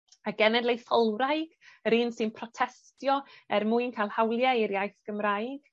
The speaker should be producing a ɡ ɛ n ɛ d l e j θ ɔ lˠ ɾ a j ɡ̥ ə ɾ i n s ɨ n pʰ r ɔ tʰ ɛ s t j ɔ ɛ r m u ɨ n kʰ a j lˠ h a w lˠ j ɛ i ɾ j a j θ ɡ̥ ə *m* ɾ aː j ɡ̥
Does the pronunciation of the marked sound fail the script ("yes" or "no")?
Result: no